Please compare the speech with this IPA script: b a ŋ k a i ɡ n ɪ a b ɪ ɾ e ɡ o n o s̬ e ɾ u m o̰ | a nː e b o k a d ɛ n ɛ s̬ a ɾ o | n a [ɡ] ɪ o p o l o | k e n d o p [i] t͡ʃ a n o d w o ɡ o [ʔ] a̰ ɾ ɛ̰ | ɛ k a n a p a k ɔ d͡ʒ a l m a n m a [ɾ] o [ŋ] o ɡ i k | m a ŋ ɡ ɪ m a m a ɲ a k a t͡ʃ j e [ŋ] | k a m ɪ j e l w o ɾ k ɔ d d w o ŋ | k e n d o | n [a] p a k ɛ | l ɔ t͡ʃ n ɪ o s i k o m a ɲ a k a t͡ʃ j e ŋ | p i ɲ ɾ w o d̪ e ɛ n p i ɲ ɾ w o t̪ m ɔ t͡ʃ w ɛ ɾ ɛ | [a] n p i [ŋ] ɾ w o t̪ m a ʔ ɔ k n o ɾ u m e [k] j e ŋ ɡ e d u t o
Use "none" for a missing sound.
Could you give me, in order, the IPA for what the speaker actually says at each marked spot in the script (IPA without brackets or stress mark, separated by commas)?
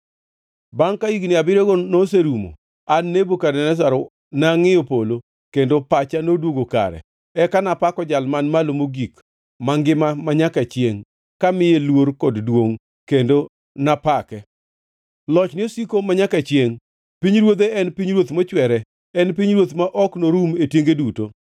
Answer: ŋ, a, k, l, m, ŋ, a, ɛ, ɲ, t